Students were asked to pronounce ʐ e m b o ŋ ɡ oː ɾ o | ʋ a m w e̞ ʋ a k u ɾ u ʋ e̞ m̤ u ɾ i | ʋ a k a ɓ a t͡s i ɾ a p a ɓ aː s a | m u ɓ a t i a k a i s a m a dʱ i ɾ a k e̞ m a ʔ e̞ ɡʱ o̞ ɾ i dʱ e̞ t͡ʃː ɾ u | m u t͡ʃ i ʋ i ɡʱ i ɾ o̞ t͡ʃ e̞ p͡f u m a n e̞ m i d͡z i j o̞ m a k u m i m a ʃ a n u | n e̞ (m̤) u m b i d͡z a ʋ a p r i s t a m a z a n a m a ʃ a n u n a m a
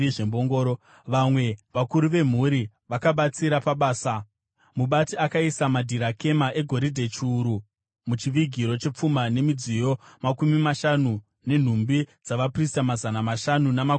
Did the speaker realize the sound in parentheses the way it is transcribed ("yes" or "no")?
no